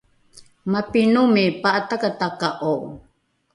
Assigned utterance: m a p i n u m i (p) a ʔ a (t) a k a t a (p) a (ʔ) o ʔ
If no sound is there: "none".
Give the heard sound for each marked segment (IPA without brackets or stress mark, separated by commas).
p, t, k, ʔ